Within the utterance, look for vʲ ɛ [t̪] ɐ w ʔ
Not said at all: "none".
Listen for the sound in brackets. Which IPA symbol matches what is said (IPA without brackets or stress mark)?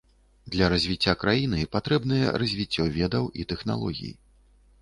d̪